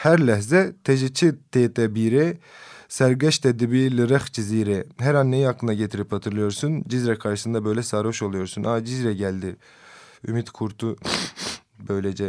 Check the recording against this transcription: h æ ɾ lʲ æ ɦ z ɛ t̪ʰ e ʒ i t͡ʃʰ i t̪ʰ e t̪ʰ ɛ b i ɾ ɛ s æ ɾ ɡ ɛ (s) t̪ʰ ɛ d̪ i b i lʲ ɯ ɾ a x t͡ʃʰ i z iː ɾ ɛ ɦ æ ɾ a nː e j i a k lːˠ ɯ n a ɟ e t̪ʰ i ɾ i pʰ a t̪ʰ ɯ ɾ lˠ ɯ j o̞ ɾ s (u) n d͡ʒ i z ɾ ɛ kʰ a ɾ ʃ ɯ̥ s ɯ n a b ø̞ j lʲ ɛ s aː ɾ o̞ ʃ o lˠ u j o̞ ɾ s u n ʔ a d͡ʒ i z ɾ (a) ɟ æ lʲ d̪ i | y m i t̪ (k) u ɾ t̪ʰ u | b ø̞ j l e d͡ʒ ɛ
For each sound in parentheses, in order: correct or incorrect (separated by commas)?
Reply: incorrect, correct, incorrect, incorrect